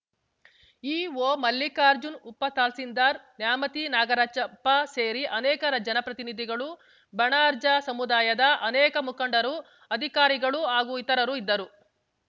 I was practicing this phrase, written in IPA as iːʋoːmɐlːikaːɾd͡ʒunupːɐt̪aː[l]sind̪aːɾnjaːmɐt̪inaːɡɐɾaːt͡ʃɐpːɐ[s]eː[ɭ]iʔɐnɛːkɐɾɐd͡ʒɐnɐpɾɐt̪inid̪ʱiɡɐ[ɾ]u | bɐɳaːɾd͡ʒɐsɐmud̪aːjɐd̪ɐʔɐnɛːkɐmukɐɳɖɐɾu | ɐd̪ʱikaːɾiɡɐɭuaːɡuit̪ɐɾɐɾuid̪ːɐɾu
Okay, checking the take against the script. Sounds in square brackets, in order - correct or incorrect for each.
correct, correct, incorrect: ɾ, incorrect: ɭ

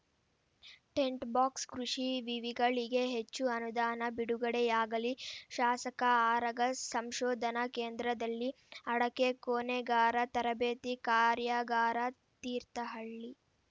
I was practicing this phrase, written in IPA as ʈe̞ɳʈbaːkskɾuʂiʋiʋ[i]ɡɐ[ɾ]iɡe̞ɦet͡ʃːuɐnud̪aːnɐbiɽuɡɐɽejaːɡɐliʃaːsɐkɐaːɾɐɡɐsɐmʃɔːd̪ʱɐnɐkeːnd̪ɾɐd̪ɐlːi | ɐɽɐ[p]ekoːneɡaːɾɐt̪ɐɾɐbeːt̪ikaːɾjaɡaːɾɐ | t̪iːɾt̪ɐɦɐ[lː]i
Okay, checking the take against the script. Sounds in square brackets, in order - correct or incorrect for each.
correct, incorrect: ɭ, incorrect: k, incorrect: ɭː

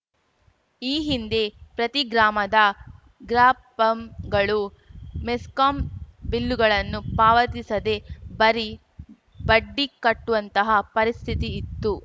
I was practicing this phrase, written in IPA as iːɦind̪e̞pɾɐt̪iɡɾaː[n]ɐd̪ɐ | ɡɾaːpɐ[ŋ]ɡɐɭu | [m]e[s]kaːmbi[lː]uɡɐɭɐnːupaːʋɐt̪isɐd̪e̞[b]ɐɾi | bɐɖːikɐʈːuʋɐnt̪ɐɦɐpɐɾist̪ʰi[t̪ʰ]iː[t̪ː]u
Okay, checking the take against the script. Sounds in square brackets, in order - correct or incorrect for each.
incorrect: m, incorrect: m, correct, correct, correct, correct, incorrect: t̪, correct

